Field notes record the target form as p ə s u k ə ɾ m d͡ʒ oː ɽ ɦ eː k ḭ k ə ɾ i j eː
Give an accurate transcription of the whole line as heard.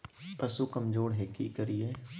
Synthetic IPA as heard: p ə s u k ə m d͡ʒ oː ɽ ɦ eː k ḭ k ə ɾ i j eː